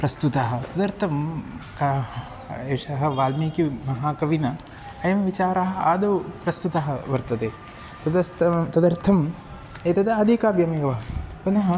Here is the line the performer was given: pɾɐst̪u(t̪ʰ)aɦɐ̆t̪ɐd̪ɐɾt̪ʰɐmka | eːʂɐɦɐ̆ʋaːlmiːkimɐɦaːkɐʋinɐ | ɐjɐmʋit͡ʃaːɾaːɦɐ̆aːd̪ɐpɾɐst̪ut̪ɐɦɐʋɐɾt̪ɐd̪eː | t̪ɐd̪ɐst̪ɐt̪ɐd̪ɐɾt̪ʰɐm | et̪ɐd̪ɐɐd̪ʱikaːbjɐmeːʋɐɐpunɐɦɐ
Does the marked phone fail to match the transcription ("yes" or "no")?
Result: yes